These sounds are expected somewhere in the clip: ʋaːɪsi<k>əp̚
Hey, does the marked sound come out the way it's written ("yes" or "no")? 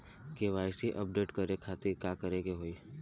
no